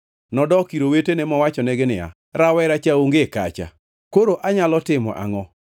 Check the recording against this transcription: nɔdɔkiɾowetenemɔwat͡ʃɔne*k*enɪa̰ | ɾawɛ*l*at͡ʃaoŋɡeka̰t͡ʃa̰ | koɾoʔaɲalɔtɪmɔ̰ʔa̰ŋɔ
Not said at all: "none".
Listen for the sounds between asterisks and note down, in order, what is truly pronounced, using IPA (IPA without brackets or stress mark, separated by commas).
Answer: ɡ, ɾ